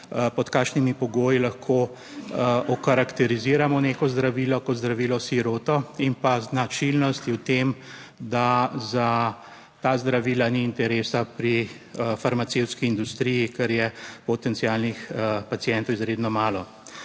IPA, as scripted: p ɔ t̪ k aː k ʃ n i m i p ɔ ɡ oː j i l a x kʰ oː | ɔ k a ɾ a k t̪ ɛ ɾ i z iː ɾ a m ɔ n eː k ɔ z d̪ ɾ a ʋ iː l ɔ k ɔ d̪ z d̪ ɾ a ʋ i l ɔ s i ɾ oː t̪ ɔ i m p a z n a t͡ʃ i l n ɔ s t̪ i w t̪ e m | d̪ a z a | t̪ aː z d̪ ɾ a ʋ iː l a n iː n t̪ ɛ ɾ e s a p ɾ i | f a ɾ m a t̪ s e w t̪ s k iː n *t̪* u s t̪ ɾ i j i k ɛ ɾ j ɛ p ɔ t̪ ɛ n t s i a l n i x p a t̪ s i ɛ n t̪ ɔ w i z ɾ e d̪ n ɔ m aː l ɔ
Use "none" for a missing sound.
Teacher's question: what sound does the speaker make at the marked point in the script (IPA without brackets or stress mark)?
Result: d̪